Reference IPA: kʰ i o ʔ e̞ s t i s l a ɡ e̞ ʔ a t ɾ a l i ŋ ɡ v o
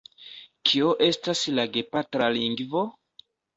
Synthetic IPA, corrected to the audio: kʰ i o ʔ e̞ s t a s l a ɡ e̞ p a t ɾ a l i ŋ ɡ v o